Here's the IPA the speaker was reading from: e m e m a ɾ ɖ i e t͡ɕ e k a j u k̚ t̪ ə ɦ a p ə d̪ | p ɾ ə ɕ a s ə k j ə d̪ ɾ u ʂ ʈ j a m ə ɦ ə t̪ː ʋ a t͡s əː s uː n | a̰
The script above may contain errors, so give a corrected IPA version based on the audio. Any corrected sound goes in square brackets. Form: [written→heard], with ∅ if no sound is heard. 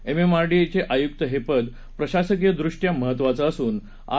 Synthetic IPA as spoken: e m e m a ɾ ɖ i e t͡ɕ e [k→ʔ] a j u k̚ t̪ ə ɦ [a→e] p ə d̪ | p ɾ ə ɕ a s ə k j ə d̪ ɾ u ʂ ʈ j a m ə ɦ ə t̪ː ʋ a t͡s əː s uː n | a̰

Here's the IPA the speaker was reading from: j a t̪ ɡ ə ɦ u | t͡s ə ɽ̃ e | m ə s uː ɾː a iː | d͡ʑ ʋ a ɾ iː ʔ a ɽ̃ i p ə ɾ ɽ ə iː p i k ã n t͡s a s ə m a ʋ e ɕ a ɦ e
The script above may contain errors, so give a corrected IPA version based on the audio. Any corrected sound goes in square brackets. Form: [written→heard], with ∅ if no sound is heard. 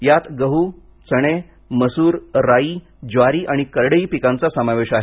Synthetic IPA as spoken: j a t̪ ɡ ə ɦ u | t͡s ə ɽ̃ e | m ə s uː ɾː a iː | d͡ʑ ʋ a ɾ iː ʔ a ɽ̃ i [p→k] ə ɾ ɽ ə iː p i k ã n t͡s a s ə m a ʋ e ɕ a ɦ e

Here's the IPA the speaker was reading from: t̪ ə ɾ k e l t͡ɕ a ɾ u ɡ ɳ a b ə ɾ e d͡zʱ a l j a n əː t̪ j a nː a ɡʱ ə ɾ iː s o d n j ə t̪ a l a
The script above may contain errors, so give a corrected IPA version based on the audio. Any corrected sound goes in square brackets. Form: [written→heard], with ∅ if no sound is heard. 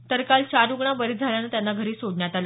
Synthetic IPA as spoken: t̪ ə ɾ k [e→a] l t͡ɕ a ɾ u ɡ ɳ a b ə ɾ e d͡zʱ a l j a n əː t̪ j a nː a ɡʱ ə ɾ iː s o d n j [ə→a] t̪ a l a

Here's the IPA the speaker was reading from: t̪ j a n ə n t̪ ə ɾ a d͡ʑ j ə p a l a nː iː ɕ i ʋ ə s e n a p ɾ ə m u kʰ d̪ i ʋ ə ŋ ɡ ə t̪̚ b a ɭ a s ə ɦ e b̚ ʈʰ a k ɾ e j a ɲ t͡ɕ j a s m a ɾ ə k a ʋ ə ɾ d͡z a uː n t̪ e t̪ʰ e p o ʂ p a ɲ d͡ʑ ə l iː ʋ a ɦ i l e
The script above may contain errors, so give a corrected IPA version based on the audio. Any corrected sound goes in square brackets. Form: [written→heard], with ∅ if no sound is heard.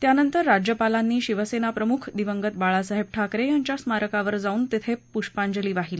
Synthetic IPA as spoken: t̪ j a n ə n t̪ ə [ɾ→ɾː] a d͡ʑ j ə p a l a nː iː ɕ i ʋ ə s e n a p ɾ ə m u kʰ d̪ i ʋ ə ŋ ɡ ə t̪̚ b a ɭ a s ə ɦ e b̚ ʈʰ a k ɾ e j a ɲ t͡ɕ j a s m a ɾ ə k a ʋ ə ɾ d͡z a uː n t̪ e t̪ʰ e p [o→u] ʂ p a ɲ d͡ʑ ə l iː ʋ a ɦ i l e

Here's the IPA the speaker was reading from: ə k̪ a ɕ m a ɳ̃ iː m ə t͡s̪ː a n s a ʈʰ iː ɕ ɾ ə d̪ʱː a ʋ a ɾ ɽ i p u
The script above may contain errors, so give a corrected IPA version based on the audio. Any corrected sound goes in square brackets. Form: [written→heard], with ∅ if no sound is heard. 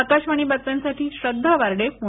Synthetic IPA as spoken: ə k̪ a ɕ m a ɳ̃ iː [m→b] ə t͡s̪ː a n s a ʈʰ iː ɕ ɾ ə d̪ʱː a ʋ a ɾ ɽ [i→e] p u

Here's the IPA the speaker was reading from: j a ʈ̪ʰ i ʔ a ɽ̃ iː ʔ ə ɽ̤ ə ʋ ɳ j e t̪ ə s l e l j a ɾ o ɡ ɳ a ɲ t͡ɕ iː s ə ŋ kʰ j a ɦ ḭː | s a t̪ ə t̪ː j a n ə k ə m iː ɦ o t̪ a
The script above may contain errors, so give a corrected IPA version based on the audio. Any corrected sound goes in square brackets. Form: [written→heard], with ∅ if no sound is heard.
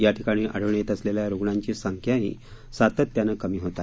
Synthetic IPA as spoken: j a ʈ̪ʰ i [ʔ→k] a ɽ̃ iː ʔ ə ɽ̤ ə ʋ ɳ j e t̪ ə s l e l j a ɾ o ɡ ɳ a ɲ t͡ɕ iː s ə ŋ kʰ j a ɦ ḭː | s a t̪ ə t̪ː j a n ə k ə m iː ɦ o t̪ a

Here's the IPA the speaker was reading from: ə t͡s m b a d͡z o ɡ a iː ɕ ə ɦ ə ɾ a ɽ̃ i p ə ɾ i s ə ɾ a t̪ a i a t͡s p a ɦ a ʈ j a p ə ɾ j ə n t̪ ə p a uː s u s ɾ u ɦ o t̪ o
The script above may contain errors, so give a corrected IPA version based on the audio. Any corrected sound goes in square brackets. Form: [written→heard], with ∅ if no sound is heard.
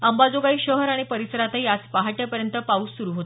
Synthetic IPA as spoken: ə [t͡s→∅] m b a d͡z o ɡ a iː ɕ ə ɦ ə ɾ a ɽ̃ i p ə ɾ i s ə ɾ a t̪ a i a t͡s p a ɦ a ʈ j a p ə ɾ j ə n t̪ ə p a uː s u [s→∅] ɾ u ɦ o t̪ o

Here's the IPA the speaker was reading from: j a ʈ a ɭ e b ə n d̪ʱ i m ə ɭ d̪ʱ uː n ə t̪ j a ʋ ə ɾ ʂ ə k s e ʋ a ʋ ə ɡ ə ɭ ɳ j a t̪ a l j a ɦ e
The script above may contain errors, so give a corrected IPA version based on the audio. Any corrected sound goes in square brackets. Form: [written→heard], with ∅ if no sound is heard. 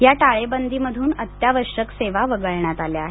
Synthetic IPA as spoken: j a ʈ a ɭ e b ə n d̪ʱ i m ə [ɭ→∅] d̪ʱ uː n ə t̪ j a ʋ ə ɾ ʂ ə k s e ʋ a ʋ ə ɡ ə ɭ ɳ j a t̪ a l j a ɦ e

